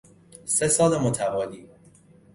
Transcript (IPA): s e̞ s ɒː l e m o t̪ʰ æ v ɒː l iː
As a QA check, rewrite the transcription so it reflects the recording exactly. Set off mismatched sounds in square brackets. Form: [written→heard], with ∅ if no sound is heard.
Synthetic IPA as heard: s e̞ s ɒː l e m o t̪ʰ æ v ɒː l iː

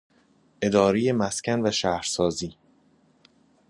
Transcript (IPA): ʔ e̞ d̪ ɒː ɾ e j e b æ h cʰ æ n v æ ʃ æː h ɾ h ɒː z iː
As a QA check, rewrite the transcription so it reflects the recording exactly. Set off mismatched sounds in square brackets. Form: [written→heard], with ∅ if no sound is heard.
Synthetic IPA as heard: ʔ e̞ d̪ ɒː ɾ e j e [b→m] æ [h→s] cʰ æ n v æ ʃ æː h ɾ [h→s] ɒː z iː

